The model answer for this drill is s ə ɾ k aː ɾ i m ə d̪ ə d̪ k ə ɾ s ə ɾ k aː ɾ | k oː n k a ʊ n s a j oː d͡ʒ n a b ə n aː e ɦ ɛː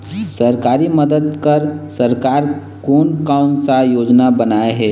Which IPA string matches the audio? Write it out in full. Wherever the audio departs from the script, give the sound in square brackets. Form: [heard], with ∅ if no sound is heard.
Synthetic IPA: s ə ɾ k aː ɾ i m ə d̪ ə d̪ k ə ɾ s ə ɾ k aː ɾ | k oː n k a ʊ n s a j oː d͡ʒ n a b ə n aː e ɦ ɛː

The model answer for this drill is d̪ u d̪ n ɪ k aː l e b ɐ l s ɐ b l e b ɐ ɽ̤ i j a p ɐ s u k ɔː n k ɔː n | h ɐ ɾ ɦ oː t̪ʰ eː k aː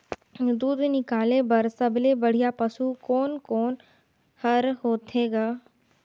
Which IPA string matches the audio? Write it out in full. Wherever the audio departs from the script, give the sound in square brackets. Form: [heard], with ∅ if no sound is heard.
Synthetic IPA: d̪ [uː] d̪ n ɪ k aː l e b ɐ [ɾ] s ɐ b l e b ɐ ɽ̤ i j a p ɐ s u k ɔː n k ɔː n | h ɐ ɾ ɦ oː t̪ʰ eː [ɡ] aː

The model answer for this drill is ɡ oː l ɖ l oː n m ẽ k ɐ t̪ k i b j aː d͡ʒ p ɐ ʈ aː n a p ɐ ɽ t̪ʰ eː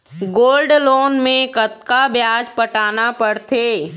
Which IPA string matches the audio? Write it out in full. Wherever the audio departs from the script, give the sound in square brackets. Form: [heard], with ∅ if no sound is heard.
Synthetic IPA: ɡ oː l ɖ l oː n m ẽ k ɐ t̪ k [a] b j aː d͡ʒ p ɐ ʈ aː n a p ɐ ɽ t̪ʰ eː

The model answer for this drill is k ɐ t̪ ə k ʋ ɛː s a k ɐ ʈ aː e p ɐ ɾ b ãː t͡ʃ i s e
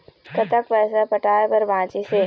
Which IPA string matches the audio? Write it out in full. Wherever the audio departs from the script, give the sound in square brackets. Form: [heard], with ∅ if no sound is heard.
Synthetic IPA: k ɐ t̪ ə k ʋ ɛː s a [p] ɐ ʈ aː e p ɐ ɾ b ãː t͡ʃ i s e

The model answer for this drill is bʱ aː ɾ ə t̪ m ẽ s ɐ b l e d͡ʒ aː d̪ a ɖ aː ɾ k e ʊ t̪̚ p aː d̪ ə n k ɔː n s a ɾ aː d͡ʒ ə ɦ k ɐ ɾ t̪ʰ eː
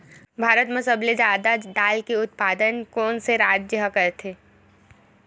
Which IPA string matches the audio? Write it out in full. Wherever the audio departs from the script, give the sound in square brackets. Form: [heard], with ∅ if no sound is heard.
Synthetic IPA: bʱ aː ɾ ə t̪ m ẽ s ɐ b l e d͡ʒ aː d̪ a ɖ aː [l] k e ʊ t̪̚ p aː d̪ ə n k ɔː n s [e] ɾ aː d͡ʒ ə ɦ k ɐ ɾ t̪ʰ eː

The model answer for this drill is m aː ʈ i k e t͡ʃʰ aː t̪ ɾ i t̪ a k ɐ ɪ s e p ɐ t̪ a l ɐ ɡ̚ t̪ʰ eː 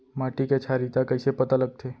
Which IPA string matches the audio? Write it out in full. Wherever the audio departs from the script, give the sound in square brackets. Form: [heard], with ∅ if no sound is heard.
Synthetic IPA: m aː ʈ i k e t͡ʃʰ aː [∅] ɾ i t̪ a k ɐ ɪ s e p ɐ t̪ a l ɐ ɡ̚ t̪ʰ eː

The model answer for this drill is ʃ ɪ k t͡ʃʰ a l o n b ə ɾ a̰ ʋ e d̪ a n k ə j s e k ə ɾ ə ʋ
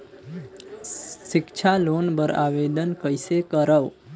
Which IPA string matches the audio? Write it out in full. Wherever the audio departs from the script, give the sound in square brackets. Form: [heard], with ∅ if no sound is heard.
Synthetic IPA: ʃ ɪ k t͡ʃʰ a l o n b ə ɾ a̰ ʋ e d̪ [ə] n k ə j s e k ə ɾ ə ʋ

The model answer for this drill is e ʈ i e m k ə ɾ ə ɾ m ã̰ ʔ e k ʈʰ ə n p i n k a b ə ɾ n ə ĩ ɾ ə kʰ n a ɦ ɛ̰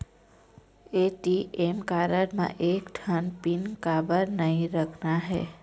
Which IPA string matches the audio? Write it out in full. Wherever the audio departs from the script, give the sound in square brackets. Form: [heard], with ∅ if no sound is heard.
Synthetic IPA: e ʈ i e m k [a] ɾ ə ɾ m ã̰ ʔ e k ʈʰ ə n p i n k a b ə ɾ n ə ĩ ɾ ə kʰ n a ɦ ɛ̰

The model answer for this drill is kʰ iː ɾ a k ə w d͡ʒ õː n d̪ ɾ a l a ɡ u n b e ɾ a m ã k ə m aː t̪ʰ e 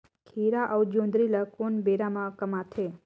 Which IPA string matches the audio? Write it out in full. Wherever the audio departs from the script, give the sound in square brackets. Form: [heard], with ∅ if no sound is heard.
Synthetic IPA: kʰ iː ɾ a [ʔ] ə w d͡ʒ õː n d̪ ɾ [i] l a [k] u n b e ɾ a m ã k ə m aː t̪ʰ e

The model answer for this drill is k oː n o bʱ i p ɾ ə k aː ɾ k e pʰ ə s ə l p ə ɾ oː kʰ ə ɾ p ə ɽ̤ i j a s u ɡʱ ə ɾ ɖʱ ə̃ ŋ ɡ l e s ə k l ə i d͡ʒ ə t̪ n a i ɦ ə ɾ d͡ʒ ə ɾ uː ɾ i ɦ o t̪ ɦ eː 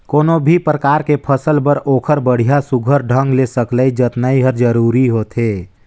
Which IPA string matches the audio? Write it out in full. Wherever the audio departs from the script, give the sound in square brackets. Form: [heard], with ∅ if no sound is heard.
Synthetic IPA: k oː n o bʱ i p ɾ ə k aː ɾ k e pʰ ə s ə l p ə ɾ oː kʰ ə ɾ [b] ə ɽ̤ i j a s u ɡʱ ə ɾ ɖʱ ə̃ ŋ ɡ l e s ə k l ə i d͡ʒ ə t̪ n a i ɦ ə ɾ d͡ʒ ə ɾ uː ɾ i ɦ o t̪ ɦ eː

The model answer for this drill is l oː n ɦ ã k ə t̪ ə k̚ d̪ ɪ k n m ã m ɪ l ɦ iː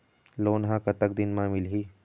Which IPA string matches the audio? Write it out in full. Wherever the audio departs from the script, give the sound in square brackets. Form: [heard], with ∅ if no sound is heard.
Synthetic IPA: l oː n ɦ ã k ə t̪ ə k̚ d̪ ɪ [∅] n m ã m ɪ l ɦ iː

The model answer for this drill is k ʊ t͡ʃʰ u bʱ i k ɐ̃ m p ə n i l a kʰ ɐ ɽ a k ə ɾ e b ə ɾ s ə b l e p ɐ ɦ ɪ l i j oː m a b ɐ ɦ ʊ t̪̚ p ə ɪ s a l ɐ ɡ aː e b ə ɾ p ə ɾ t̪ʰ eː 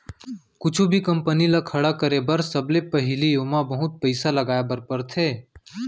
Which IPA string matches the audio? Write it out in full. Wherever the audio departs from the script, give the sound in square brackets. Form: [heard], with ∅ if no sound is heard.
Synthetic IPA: k ʊ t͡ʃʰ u bʱ i k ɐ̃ m p ə n i l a kʰ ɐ ɽ a k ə ɾ e b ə ɾ s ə b l e p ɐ ɦ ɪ l i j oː m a b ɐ ɦ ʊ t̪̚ p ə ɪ s a l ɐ ɡ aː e b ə ɾ p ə ɾ t̪ʰ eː

